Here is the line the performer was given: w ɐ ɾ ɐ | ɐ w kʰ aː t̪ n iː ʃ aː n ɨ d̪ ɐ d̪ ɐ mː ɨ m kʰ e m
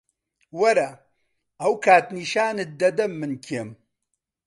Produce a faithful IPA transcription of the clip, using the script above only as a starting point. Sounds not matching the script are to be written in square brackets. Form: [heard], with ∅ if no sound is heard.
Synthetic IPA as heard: w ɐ ɾ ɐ | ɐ w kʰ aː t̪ n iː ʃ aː n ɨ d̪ ɐ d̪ ɐ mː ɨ [n] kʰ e m